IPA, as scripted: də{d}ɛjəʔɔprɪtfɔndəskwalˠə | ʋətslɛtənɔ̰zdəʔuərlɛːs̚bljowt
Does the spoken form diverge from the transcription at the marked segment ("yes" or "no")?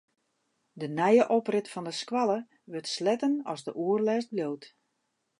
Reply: yes